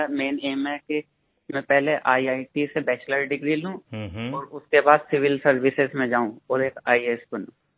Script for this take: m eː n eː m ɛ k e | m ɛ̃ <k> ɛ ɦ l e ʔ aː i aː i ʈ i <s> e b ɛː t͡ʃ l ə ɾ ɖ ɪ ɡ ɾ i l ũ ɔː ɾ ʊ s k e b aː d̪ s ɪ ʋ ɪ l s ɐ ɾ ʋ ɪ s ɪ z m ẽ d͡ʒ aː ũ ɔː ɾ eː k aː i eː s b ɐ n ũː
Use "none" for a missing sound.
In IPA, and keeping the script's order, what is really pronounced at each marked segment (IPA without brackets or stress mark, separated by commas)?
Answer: p, s